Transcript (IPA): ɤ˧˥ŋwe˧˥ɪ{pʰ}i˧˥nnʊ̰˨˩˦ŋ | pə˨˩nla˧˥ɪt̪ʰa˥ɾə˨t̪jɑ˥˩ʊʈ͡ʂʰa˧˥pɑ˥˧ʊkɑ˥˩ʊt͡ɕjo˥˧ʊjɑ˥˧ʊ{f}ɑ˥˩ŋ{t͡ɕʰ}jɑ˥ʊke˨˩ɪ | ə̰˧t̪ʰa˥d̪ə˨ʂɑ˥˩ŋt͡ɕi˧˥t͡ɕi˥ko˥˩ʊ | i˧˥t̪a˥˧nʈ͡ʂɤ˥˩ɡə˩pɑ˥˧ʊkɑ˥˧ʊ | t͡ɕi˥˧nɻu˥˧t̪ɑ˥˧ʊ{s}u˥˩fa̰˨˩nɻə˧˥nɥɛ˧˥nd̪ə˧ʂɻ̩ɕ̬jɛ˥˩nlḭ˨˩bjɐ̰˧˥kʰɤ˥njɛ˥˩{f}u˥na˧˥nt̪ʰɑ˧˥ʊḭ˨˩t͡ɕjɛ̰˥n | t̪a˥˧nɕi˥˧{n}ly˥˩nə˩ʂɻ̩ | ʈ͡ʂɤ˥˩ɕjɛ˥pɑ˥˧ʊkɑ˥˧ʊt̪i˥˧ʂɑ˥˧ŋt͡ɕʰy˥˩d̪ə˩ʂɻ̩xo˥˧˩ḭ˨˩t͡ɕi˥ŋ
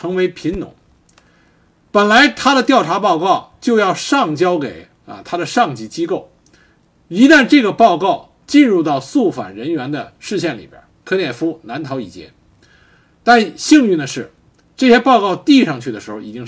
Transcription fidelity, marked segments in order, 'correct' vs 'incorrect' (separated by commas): correct, incorrect, incorrect, correct, correct, incorrect